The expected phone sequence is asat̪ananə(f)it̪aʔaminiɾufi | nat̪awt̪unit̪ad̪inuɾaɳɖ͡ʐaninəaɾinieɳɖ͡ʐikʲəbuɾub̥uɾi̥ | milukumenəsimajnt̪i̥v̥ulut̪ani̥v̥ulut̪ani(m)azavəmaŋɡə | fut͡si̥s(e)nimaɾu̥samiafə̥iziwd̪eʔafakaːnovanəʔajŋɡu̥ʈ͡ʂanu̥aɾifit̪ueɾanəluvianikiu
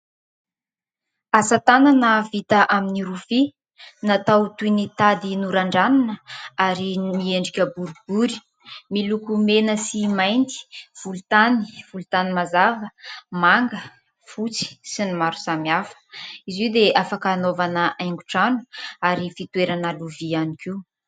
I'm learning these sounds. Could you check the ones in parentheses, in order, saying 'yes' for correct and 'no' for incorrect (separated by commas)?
no, yes, no